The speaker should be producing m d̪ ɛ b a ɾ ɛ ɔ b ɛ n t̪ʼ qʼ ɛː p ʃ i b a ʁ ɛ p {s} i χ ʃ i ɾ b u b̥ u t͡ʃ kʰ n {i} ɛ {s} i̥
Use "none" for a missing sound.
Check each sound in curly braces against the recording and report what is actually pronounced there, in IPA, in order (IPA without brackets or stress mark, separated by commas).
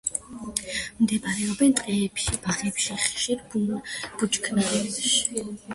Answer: ʃ, a, ʃ